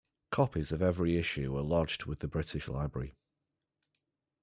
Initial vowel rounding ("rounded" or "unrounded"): rounded